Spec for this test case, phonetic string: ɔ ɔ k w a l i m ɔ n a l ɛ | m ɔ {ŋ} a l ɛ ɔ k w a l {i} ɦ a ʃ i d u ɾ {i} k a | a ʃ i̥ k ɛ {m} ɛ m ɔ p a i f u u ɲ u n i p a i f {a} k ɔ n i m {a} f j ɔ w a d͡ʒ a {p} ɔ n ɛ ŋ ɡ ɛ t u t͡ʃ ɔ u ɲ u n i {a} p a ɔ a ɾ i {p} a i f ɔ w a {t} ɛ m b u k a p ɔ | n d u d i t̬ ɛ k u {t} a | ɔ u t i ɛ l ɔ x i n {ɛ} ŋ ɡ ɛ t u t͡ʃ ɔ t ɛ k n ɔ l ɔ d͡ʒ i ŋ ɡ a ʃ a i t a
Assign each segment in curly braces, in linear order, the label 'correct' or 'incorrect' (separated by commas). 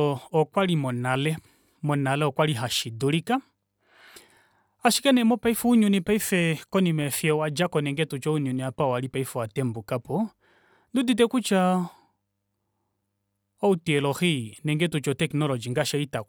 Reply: incorrect, correct, correct, incorrect, incorrect, incorrect, incorrect, correct, correct, correct, incorrect, correct